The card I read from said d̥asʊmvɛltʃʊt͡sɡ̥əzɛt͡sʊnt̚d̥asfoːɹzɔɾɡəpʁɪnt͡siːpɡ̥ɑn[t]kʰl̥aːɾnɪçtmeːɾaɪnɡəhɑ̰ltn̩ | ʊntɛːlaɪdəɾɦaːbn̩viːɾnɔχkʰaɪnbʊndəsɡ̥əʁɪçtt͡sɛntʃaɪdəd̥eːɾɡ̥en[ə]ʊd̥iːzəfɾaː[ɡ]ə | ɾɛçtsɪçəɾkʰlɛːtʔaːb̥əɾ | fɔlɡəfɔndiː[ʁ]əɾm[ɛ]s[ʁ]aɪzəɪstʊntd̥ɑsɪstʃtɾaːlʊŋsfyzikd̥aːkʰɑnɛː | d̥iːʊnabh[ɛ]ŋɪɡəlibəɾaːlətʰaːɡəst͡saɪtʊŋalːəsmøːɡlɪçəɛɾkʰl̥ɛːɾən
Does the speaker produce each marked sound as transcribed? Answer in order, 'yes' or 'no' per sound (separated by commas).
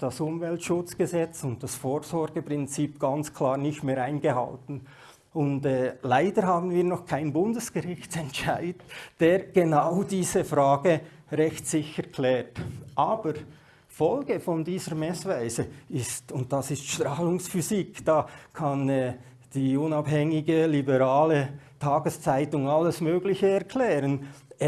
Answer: no, no, yes, no, yes, no, yes